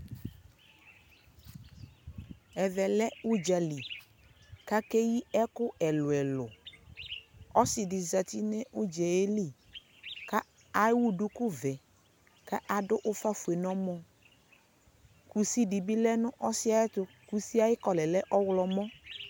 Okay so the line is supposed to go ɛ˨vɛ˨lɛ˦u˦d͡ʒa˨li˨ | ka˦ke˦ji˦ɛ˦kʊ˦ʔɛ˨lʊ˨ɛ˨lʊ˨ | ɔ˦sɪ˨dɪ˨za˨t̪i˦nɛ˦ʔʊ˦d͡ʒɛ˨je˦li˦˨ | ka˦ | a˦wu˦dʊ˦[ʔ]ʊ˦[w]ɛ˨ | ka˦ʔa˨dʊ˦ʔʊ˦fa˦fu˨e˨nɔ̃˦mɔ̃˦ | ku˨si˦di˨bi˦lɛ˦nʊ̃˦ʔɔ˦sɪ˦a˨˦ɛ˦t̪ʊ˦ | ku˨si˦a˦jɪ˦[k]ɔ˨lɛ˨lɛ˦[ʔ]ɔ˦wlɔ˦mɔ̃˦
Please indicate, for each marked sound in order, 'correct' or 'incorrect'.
incorrect, incorrect, correct, correct

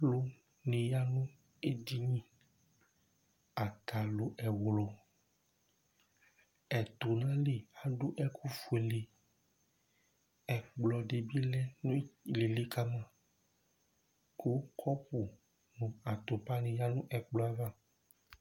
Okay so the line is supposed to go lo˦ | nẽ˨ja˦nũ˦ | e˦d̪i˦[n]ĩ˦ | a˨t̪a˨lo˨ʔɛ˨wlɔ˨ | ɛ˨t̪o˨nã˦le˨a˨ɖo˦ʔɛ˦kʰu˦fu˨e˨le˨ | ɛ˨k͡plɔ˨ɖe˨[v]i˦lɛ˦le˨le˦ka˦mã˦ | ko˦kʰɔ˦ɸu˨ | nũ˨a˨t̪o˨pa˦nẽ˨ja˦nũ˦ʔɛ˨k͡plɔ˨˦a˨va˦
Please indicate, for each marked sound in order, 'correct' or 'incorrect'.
incorrect, incorrect

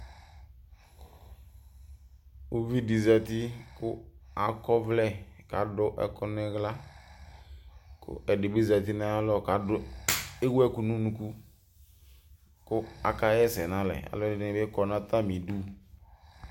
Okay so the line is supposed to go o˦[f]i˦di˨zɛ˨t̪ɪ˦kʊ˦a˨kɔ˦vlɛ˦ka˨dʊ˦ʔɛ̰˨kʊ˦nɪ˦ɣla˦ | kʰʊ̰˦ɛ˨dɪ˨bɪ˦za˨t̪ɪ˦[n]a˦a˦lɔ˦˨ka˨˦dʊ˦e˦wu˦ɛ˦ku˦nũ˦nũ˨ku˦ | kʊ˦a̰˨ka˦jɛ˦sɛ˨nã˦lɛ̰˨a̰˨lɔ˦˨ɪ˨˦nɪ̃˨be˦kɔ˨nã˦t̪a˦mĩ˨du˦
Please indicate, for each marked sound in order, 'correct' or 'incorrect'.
incorrect, correct

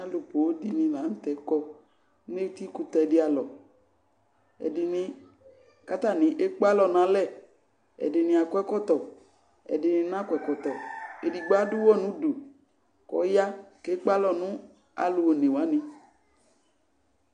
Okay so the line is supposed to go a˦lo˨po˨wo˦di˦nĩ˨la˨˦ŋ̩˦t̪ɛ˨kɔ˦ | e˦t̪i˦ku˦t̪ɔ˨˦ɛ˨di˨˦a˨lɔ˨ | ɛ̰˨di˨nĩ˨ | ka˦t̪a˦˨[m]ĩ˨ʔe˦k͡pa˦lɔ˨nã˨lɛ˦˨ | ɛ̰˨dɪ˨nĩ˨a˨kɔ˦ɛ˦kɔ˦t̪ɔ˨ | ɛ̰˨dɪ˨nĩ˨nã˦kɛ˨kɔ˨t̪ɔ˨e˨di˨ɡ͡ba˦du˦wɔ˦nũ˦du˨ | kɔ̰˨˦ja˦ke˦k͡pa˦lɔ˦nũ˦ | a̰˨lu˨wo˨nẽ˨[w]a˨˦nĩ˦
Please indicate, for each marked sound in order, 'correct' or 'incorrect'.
incorrect, correct

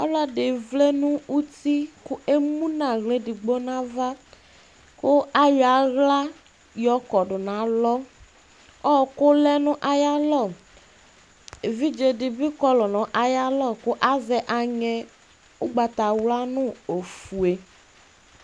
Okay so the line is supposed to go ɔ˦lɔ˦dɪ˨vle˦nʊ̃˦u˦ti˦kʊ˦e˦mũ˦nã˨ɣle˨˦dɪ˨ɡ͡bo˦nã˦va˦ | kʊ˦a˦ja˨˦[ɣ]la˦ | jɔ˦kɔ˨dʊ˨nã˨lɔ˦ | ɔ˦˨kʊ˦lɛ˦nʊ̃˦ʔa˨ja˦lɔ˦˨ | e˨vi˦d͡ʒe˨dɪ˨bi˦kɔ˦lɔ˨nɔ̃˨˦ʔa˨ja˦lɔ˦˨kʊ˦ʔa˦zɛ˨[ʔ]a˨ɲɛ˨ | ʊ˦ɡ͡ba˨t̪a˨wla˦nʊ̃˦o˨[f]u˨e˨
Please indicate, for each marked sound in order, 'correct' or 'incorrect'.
correct, correct, correct

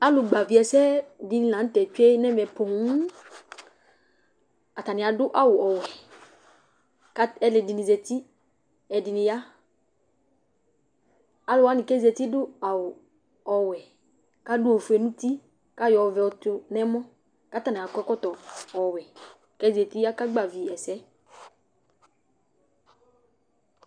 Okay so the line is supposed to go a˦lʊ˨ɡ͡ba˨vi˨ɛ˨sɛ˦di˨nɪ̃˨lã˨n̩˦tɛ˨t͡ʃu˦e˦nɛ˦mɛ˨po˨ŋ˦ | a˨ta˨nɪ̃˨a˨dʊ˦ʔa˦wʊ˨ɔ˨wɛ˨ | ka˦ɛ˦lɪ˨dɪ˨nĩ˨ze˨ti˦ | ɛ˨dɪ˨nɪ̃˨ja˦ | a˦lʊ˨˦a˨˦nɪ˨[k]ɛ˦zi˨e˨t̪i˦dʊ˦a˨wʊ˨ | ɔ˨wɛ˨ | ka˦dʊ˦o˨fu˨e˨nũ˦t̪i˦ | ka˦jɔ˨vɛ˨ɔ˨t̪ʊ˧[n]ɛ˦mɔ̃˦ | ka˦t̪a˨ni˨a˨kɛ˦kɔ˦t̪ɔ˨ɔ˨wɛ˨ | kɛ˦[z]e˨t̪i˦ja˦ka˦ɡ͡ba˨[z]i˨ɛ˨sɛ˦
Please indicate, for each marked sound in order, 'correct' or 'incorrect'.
correct, correct, correct, incorrect

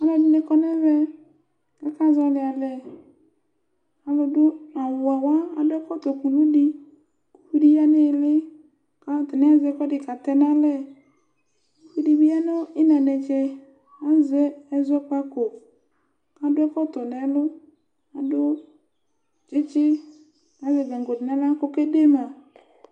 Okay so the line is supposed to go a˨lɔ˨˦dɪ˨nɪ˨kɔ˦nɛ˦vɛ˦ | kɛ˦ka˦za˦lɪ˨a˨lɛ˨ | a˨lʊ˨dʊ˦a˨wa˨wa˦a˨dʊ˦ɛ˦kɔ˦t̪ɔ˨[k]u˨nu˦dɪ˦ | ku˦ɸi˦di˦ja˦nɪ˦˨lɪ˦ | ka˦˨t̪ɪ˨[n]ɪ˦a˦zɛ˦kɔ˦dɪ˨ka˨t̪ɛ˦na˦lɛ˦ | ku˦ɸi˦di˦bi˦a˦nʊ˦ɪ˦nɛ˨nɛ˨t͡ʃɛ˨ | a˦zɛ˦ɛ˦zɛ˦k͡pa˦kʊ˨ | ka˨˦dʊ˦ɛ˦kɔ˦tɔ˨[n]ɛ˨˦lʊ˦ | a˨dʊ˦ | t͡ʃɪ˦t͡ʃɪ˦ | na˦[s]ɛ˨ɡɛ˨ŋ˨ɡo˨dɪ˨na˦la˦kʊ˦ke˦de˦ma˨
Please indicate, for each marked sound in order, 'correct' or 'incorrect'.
correct, correct, correct, incorrect

